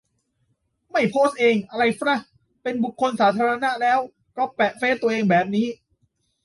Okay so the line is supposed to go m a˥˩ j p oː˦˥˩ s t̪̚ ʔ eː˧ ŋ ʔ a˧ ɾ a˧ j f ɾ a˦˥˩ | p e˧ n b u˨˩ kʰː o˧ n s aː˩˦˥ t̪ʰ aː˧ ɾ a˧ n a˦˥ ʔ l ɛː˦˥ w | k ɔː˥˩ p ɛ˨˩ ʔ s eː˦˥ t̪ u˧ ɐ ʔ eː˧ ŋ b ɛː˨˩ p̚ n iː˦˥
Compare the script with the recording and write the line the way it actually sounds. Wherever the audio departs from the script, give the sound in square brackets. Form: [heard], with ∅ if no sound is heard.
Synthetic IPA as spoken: m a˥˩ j [pʰ] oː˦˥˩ s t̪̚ ʔ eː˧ ŋ ʔ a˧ ɾ a˧ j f ɾ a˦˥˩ | p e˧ n b u˨˩ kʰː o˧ n s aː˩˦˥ t̪ʰ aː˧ ɾ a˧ n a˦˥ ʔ l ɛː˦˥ w | k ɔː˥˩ p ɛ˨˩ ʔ [f] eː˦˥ t̪ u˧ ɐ ʔ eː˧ ŋ b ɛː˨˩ p̚ n iː˦˥